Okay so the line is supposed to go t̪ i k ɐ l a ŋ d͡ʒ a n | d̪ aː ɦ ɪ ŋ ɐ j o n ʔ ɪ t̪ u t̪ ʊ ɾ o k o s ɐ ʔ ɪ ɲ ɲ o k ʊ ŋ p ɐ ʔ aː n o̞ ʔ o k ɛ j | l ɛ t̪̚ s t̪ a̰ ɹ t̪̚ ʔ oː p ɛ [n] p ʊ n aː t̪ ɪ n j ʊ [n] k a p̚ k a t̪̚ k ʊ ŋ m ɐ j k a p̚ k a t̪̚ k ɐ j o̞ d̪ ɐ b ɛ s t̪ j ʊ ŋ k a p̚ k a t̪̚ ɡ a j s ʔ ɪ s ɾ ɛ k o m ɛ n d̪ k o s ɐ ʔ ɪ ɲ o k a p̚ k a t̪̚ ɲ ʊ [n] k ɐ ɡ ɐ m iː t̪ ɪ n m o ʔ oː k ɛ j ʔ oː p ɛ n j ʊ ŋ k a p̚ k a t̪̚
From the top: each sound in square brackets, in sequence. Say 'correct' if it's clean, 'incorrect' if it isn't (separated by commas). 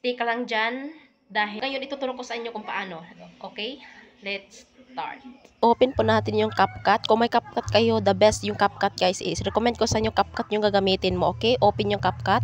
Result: correct, incorrect, incorrect